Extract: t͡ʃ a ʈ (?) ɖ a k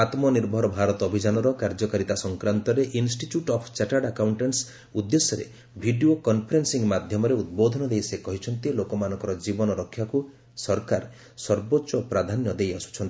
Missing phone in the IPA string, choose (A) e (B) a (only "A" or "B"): B